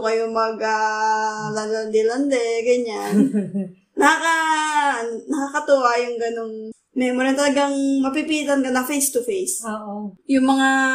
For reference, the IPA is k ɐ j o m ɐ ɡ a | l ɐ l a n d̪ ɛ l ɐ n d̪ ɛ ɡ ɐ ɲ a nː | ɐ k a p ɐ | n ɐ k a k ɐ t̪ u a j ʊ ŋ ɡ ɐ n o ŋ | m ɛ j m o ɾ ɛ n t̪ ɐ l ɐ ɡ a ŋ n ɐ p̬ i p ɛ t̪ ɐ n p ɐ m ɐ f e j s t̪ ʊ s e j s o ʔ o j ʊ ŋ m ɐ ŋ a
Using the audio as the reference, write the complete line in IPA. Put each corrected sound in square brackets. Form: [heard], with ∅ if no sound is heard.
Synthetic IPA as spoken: k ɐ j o m ɐ ɡ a | l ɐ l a n d̪ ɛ l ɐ n d̪ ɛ ɡ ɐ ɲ a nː | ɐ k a [k] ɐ | n ɐ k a k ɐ t̪ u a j ʊ ŋ ɡ ɐ n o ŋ | m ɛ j m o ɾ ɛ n t̪ ɐ l ɐ ɡ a ŋ [m] ɐ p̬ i p [i] t̪ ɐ n [k] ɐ [n] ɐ f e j s t̪ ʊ [f] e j s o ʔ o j ʊ ŋ m ɐ ŋ a